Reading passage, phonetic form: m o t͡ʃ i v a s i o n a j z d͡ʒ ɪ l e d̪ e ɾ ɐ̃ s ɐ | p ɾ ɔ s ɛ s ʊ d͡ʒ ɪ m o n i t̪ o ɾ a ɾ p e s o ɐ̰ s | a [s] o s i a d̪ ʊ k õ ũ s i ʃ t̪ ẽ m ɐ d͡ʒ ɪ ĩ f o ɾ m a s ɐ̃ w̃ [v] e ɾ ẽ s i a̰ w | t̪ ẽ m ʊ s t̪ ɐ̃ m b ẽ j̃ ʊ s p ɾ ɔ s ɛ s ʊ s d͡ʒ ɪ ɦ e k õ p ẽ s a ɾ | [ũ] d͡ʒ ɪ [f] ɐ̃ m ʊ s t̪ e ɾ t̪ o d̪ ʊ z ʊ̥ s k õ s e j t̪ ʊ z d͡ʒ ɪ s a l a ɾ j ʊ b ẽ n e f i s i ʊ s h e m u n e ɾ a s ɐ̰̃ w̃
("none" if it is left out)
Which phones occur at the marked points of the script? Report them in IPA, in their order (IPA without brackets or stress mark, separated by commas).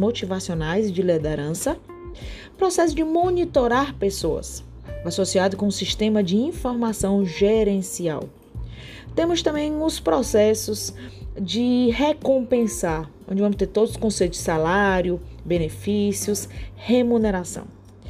s, ʒ, õ, v